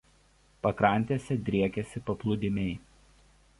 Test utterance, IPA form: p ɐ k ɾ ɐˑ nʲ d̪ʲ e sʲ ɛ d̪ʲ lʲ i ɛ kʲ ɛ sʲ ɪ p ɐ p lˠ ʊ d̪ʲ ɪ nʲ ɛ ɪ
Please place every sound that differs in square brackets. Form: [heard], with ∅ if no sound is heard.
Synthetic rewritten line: p ɐ k ɾ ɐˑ nʲ [t̪ʲ] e sʲ ɛ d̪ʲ [ɾʲ] i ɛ kʲ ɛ sʲ ɪ p ɐ p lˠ ʊ d̪ʲ ɪ [mʲ] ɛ ɪ